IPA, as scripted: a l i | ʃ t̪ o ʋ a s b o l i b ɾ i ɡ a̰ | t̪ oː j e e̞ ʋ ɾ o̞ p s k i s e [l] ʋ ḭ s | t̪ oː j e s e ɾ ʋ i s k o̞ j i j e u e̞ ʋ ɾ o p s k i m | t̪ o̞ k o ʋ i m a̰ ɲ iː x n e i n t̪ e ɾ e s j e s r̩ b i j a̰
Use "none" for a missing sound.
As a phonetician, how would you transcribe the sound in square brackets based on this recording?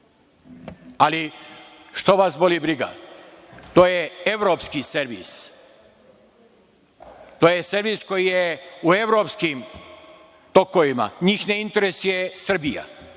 ɾ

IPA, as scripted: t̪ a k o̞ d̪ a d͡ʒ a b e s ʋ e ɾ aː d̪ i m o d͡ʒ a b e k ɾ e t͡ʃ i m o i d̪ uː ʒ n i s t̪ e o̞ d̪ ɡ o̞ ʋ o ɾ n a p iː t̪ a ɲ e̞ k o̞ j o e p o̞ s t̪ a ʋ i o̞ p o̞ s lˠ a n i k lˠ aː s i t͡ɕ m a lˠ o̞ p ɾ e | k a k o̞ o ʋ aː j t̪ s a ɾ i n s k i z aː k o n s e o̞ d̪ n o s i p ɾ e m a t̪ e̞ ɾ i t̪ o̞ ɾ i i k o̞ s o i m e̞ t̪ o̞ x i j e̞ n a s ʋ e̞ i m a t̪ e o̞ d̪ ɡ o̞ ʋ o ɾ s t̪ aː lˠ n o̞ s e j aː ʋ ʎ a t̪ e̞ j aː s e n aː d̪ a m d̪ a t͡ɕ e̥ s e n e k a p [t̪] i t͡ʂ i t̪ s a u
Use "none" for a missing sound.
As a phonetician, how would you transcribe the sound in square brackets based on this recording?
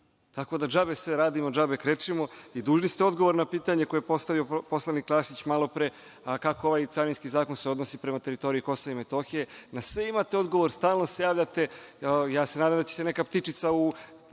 t̪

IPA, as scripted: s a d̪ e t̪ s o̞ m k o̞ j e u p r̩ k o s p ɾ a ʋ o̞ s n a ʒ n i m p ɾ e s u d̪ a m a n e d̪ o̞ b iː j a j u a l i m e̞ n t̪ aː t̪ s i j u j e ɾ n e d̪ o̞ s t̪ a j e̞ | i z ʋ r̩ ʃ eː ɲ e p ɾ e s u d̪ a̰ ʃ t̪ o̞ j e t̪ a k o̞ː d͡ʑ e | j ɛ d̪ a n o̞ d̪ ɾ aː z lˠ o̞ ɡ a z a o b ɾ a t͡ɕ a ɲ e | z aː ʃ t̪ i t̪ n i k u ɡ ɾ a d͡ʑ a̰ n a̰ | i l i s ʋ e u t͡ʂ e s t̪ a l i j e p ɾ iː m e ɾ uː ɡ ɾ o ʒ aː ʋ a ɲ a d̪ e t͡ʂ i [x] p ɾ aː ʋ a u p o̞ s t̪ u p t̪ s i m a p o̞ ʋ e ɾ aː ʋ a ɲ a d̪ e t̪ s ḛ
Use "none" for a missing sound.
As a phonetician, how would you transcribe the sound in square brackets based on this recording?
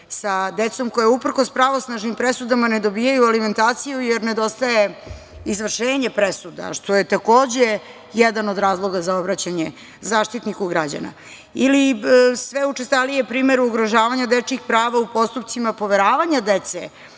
x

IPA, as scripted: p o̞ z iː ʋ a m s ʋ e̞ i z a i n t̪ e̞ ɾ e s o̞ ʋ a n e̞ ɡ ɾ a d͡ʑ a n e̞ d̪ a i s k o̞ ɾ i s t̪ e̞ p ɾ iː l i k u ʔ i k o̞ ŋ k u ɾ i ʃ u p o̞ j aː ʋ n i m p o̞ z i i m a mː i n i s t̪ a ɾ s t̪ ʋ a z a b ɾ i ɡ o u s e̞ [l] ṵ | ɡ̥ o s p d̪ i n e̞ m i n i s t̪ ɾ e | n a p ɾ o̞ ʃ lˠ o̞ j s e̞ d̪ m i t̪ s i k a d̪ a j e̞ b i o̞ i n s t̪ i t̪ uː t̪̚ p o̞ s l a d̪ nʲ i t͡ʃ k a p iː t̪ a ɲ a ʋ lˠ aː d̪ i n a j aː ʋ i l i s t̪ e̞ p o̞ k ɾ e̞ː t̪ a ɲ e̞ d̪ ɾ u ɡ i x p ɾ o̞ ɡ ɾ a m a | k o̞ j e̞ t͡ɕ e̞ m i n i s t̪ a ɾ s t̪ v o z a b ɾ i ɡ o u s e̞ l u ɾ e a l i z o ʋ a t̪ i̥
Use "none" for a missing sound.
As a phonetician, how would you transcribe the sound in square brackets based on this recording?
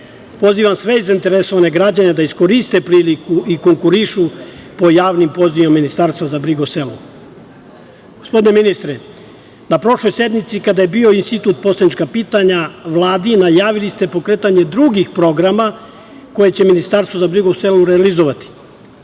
l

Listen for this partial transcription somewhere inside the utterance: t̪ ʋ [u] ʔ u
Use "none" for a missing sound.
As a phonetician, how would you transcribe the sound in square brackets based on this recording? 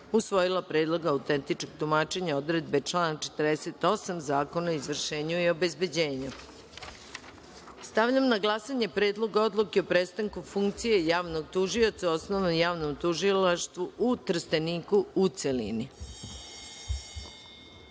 u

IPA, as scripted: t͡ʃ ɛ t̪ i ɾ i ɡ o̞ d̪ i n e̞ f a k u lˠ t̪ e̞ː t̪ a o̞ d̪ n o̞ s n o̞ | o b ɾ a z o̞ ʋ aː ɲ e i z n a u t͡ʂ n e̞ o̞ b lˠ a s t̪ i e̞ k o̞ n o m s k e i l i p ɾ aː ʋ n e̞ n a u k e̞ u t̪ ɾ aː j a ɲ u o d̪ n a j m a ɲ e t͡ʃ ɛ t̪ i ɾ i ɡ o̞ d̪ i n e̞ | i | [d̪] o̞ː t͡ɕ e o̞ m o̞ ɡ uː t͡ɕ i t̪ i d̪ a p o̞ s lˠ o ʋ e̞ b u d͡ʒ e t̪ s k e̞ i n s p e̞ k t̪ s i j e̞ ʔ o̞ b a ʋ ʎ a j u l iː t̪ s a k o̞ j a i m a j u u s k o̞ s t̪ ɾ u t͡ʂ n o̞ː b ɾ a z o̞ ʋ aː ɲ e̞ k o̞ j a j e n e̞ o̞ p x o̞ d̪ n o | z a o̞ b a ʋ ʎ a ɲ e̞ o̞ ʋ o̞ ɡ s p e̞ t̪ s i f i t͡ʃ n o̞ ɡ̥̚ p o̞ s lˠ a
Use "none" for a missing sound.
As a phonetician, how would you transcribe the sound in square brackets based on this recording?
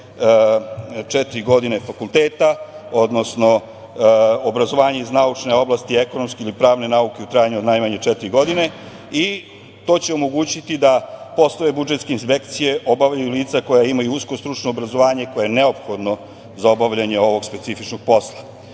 t̪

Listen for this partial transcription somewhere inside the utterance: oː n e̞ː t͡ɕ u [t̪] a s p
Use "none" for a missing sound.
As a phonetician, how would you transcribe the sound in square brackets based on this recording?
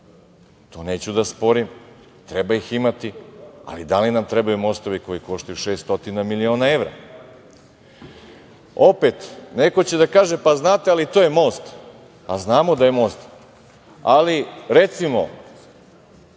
d̪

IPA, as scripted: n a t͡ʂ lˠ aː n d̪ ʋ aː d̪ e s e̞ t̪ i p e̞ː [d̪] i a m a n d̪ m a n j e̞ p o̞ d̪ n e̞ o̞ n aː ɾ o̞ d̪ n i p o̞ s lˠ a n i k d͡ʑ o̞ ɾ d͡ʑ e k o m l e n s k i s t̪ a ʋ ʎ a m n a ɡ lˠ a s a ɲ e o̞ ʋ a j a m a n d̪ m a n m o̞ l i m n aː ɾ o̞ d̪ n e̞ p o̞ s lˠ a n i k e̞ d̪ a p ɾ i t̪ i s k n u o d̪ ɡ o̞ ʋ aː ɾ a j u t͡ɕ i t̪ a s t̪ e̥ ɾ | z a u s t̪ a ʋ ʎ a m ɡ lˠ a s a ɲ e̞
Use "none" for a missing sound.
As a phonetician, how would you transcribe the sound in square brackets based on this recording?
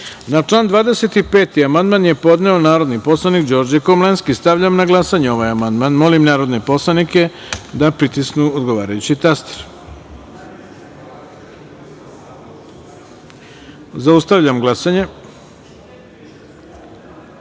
t̪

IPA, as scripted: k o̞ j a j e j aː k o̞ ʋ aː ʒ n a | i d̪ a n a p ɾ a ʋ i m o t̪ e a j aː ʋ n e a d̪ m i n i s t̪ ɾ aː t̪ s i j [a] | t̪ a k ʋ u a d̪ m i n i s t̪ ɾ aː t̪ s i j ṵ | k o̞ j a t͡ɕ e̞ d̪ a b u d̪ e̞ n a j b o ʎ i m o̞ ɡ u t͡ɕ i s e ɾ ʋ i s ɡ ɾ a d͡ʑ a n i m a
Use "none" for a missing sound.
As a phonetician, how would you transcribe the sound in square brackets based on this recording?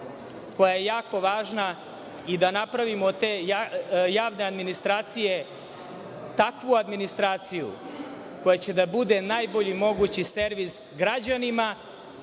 e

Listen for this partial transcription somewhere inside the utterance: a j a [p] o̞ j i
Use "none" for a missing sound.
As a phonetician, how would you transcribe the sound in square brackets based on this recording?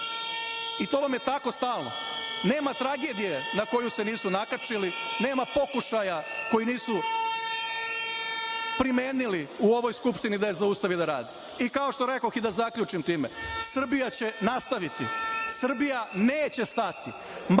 k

